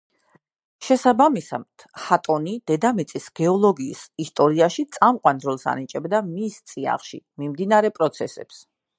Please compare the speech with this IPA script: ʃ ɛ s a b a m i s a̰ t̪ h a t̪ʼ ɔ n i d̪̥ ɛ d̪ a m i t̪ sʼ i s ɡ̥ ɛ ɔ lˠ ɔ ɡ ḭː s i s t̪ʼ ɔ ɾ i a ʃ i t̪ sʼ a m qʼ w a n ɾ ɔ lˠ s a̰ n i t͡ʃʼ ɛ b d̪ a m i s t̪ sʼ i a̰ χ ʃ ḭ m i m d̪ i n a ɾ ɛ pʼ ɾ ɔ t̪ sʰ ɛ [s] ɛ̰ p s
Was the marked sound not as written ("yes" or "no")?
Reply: no